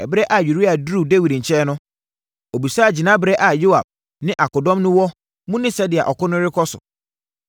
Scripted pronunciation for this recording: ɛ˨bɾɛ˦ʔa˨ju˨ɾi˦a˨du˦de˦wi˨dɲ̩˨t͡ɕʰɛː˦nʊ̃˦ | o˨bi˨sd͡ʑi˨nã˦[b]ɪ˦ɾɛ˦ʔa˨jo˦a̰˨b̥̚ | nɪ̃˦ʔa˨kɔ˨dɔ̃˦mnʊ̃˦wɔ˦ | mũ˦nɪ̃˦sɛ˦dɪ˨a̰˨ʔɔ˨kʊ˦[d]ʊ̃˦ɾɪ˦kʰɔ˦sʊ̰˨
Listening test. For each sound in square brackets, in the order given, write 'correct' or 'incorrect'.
correct, incorrect

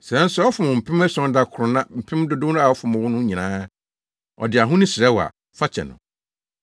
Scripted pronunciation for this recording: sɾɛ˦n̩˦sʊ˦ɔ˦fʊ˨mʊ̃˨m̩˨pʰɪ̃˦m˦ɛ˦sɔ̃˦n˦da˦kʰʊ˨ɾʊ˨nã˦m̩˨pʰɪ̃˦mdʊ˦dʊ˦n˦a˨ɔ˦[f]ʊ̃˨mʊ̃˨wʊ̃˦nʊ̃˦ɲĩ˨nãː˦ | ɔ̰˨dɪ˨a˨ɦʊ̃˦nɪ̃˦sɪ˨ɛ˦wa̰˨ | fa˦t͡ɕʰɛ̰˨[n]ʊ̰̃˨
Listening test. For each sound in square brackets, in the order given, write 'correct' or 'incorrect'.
correct, correct

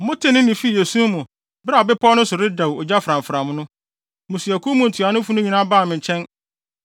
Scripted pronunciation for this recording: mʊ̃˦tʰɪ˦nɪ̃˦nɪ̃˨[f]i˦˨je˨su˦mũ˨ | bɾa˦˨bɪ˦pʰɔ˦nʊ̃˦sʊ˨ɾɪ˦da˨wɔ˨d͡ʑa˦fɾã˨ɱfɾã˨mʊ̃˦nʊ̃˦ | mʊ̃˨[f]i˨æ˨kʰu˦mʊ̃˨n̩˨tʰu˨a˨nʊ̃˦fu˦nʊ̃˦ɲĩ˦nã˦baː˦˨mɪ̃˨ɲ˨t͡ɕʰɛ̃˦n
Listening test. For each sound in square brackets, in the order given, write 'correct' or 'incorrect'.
correct, incorrect

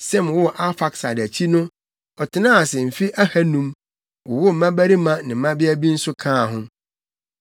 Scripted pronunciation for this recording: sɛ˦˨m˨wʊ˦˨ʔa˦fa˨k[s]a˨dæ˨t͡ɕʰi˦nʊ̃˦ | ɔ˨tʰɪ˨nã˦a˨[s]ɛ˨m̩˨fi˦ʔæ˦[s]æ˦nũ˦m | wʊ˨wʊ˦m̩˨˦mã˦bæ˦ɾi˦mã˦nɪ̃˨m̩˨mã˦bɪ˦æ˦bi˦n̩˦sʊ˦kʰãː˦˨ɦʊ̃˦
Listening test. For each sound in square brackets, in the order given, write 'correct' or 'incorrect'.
correct, correct, incorrect

